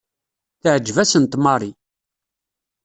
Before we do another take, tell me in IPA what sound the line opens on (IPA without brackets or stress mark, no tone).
θ